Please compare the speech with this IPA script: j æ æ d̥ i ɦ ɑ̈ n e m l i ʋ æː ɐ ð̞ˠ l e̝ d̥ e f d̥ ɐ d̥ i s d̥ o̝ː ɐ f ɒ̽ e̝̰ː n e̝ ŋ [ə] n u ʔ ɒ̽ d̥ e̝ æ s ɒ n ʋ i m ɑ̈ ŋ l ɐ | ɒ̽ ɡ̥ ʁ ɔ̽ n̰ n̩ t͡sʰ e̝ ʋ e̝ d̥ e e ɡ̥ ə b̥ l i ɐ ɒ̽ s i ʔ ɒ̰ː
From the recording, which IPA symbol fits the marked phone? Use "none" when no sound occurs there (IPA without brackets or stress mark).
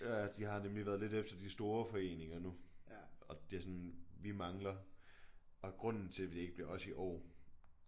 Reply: ɐ